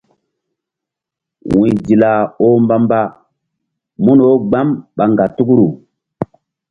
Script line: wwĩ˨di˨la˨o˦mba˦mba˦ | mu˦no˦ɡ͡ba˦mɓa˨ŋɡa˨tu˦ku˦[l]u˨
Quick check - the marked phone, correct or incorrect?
incorrect